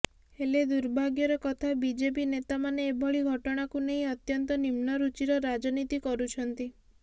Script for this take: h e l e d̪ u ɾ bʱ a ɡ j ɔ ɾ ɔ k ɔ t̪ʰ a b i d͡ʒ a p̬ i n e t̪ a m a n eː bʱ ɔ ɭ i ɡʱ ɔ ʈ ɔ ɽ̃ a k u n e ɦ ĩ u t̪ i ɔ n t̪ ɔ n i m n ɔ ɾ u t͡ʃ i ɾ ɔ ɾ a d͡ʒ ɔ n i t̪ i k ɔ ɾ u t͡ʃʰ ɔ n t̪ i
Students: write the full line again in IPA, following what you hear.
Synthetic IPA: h e l e d̪ u ɾ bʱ a ɡ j ɔ ɾ ɔ k ɔ t̪ʰ a b i d͡ʒ e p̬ i n e t̪ a m a n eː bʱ ɔ ɭ i ɡʱ ɔ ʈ ɔ ɽ̃ a k u n e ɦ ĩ ɔ t̪ j ɔ n t̪ ɔ n i m n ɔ ɾ u t͡ʃ i ɾ ɔ ɾ a d͡ʒ ɔ n i t̪ i k ɔ ɾ u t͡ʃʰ ɔ n t̪ i